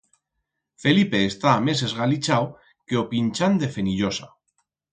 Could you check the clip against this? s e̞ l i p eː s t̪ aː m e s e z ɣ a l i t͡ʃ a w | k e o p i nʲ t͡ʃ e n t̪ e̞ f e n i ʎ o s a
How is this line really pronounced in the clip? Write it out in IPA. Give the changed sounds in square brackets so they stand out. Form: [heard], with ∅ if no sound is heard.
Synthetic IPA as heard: [f] e̞ l i p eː s t̪ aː m e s e z ɣ a l i t͡ʃ a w | k e o p i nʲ t͡ʃ [a] n [d̪] e̞ f e n i ʎ o s a